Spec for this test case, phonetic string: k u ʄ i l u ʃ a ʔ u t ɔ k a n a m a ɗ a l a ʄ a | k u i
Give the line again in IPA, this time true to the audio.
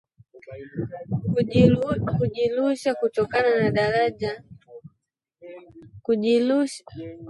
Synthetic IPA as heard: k u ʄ i l u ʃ a k u t ɔ k a n a n a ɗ a ɾ a ʄ a | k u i